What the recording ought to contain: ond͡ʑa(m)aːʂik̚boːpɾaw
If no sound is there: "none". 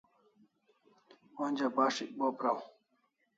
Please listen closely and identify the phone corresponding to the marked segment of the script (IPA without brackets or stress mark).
b